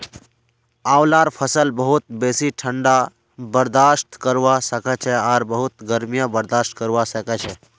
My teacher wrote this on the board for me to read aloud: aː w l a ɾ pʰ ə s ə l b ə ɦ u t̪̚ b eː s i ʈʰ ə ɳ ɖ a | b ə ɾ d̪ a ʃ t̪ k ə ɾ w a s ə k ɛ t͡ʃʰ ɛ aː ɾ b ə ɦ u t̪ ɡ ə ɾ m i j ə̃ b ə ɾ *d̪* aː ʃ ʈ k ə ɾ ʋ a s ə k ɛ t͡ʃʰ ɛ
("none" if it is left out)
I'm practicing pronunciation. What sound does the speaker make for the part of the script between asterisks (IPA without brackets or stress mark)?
d̪